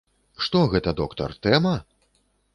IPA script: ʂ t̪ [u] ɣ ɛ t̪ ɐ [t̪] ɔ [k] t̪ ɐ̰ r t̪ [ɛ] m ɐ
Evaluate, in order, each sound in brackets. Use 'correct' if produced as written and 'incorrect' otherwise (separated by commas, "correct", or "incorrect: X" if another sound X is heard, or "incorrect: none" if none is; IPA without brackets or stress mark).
incorrect: ɔ, incorrect: d̪, correct, correct